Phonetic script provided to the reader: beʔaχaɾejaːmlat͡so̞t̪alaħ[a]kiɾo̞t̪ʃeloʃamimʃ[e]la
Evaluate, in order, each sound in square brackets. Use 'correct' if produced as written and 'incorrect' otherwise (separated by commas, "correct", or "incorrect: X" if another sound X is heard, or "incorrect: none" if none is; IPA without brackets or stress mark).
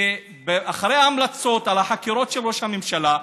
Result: correct, incorrect: a